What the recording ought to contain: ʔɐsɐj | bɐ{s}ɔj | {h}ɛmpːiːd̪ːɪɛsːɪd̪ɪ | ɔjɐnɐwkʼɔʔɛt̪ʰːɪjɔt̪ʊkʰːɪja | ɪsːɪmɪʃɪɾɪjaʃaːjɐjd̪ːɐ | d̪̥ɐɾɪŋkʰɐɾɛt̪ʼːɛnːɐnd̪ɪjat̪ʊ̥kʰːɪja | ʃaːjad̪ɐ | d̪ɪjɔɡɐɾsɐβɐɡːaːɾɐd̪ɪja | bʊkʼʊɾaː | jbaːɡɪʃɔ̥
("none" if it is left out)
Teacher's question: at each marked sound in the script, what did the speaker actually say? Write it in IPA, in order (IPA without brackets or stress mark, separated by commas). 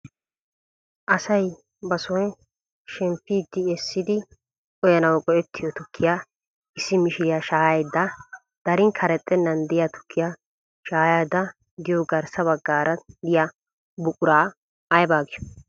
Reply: s, ʃ